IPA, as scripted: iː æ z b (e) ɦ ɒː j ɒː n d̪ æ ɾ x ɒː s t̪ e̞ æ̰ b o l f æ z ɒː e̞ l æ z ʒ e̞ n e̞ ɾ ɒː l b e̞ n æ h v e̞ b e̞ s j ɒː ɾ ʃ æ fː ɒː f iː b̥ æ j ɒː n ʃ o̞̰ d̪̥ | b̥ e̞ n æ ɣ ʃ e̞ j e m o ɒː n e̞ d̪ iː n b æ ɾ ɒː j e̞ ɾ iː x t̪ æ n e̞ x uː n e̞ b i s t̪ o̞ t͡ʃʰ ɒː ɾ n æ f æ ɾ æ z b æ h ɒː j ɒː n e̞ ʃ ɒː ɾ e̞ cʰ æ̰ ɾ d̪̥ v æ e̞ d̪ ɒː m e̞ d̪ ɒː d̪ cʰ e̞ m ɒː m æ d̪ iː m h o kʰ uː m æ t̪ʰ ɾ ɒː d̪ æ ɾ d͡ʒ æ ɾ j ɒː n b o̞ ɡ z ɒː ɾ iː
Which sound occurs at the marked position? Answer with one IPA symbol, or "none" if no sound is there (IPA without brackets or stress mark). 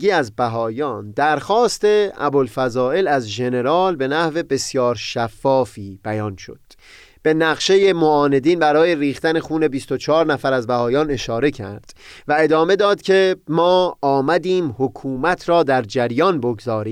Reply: æ